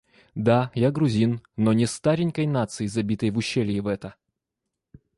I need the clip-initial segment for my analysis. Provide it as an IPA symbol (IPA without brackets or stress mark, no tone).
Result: d̪